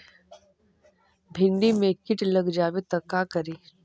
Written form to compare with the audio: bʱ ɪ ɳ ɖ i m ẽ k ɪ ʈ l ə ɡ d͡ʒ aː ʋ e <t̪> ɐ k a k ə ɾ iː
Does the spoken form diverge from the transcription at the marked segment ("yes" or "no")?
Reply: no